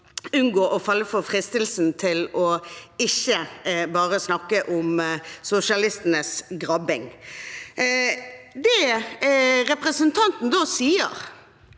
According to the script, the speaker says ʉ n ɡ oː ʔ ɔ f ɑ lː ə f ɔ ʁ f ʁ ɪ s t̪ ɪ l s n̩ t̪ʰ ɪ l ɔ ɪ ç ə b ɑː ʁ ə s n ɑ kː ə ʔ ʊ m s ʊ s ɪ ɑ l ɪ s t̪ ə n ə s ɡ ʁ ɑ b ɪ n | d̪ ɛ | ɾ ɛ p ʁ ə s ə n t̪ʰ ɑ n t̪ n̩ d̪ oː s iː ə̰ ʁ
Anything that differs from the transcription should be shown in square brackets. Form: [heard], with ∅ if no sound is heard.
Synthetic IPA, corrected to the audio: ʉ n ɡ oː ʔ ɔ f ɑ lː ə f ɔ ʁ f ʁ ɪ s t̪ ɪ l s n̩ t̪ʰ ɪ l ɔ ɪ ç ə b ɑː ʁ ə s n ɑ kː ə ʔ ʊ m s ʊ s ɪ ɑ l ɪ s t̪ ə n ə s ɡ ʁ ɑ b ɪ [ŋ] | d̪ ɛ | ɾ ɛ p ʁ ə s ə n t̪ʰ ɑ n t̪ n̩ d̪ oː s iː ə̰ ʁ